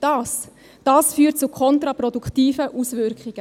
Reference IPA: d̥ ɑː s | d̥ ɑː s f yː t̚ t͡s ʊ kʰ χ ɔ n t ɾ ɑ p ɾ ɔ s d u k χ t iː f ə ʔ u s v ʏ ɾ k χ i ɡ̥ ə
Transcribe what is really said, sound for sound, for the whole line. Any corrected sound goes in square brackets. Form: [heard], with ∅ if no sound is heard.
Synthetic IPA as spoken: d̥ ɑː s | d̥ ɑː s f yː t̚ t͡s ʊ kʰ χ ɔ n t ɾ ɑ p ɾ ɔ [∅] d u k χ t iː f ə ʔ u s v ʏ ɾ k χ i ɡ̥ ə